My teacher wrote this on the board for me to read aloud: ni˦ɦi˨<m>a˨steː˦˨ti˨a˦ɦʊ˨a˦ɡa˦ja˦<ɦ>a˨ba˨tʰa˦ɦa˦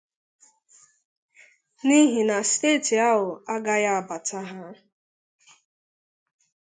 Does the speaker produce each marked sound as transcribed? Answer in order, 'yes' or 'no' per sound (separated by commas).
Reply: no, no